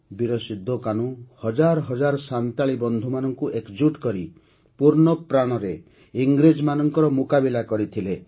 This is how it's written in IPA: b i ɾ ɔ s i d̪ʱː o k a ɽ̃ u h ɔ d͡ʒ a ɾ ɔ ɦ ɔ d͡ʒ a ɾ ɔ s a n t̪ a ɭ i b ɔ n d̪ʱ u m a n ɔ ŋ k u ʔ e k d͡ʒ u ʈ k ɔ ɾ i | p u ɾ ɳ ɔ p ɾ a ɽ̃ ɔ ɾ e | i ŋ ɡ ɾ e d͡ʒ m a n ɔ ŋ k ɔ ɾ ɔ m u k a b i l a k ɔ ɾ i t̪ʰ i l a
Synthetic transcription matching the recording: b i ɾ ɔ s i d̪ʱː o k a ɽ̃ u h ɔ d͡ʒ a ɾ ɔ ɦ ɔ d͡ʒ a ɾ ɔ s a n t̪ a ɭ i b ɔ n d̪ʱ u m a n ɔ ŋ k u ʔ e k d͡ʒ u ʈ k ɔ ɾ i | p u ɾ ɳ ɔ p ɾ a ɽ̃ ɔ ɾ e | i ŋ ɡ ɾ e d͡ʒ m a n ɔ ŋ k ɔ ɾ ɔ m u k a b i l a k ɔ ɾ i t̪ʰ i l e